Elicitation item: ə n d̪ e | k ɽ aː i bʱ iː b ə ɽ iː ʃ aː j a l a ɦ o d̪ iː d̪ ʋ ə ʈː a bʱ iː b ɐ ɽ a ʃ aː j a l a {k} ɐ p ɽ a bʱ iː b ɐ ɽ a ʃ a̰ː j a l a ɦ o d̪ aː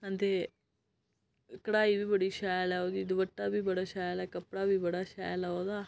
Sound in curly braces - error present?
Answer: no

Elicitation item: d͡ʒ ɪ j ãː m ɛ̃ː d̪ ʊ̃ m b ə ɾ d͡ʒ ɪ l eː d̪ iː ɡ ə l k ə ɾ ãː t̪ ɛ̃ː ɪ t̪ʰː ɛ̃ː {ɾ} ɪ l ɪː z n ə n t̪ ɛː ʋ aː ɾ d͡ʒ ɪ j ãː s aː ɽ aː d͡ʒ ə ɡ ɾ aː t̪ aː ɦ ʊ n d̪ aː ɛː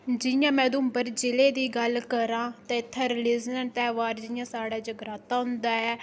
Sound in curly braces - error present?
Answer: no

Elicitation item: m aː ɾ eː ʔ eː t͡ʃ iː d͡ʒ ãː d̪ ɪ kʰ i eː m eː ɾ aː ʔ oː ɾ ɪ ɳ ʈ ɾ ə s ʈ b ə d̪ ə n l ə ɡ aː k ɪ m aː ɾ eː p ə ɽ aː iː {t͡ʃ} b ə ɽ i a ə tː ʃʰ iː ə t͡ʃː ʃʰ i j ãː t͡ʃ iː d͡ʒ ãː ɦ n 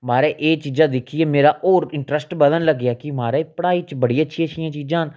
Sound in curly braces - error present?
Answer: no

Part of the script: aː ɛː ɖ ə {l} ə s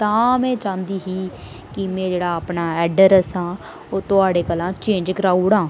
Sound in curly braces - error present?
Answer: yes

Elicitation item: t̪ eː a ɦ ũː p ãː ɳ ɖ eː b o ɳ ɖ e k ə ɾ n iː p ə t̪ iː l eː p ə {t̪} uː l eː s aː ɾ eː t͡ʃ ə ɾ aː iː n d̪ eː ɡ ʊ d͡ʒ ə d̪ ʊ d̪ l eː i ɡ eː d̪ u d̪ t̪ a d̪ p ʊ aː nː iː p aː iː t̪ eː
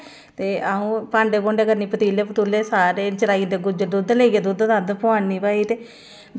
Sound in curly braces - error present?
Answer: no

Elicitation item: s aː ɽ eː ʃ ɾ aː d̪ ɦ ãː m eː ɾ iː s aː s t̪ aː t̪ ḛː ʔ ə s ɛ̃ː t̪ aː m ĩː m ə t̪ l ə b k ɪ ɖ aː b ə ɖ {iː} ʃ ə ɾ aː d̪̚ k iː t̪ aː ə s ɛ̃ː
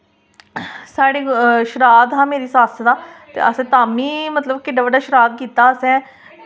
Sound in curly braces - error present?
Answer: yes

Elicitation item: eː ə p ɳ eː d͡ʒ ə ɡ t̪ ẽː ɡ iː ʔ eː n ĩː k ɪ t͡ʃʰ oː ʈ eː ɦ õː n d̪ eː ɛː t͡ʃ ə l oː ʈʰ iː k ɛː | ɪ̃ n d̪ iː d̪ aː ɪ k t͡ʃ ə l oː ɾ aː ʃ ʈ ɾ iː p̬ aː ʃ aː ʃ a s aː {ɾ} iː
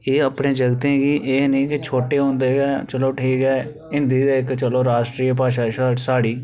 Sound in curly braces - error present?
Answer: yes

